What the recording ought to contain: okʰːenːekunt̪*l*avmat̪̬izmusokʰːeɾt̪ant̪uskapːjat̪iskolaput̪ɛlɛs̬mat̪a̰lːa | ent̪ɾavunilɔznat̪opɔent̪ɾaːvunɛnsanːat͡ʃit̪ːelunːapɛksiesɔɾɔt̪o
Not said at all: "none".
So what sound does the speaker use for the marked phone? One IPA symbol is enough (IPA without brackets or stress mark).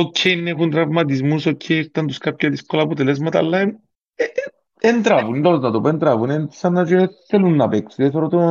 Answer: ɾ